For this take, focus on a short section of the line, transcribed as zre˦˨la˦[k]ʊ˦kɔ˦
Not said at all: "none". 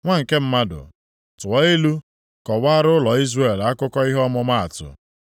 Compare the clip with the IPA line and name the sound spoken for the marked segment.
k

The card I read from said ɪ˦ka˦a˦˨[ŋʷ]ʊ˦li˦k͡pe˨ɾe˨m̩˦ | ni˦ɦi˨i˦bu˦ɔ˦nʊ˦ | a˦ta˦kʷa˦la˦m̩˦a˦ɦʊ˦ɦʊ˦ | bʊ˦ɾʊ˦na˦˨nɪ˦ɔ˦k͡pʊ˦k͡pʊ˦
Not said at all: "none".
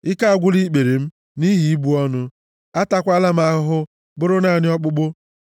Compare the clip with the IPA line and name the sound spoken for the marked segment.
ɡʷ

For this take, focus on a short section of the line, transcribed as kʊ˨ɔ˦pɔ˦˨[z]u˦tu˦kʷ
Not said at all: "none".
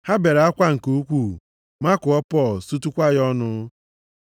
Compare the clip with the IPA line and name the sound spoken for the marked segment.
s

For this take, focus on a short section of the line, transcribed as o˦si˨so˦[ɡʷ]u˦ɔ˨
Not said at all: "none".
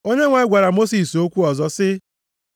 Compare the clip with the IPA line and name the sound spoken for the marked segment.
kʷ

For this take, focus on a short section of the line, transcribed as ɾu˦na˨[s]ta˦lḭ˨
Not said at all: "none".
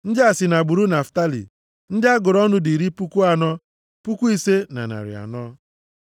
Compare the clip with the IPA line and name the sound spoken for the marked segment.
f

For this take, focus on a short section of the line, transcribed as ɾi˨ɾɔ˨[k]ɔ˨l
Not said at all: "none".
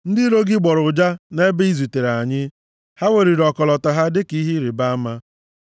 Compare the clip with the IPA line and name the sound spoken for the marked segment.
k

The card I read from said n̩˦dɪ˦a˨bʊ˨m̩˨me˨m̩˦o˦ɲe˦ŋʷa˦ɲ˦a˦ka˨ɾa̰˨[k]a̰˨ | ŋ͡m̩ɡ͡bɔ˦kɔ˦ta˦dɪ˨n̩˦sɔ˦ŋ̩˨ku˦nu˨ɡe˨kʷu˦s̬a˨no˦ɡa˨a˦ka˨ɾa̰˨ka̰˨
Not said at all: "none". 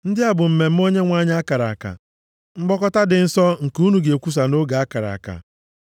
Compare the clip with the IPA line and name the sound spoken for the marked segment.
k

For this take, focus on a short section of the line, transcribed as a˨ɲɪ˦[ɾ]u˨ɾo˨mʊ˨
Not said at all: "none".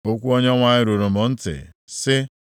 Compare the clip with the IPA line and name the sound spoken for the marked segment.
ɾ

